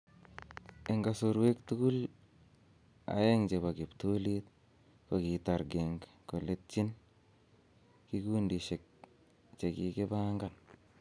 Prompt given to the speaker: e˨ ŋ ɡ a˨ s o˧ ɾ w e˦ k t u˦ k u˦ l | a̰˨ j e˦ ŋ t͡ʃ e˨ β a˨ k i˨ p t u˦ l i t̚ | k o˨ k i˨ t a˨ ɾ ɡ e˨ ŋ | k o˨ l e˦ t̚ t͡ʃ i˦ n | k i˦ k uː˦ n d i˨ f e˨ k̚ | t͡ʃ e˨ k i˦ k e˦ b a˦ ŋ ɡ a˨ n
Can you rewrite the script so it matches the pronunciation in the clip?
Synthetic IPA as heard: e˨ ŋ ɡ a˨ s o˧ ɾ w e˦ k t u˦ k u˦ l | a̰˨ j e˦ ŋ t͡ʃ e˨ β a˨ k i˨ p t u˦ l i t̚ | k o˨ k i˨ t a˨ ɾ ɡ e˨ ŋ | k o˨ l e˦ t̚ t͡ʃ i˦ n | k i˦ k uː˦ n d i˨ ʃ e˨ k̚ | t͡ʃ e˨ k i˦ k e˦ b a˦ ŋ ɡ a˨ n